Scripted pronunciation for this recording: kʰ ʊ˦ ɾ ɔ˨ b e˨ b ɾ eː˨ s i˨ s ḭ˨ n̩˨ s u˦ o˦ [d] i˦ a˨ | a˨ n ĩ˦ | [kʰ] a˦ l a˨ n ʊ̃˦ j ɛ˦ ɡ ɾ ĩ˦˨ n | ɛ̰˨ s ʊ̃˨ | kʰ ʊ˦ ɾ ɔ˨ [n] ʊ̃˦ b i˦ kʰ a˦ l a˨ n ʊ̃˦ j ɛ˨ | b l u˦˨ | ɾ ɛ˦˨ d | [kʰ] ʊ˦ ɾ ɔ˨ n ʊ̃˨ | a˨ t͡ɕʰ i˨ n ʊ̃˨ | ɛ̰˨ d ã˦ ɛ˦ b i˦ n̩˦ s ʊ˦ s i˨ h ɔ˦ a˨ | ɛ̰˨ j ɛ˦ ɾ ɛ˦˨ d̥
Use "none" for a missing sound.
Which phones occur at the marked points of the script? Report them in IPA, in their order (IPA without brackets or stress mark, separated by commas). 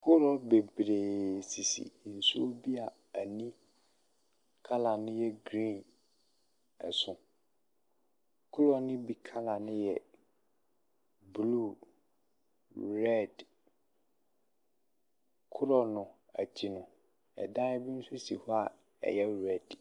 b, kʰ, n, kʰ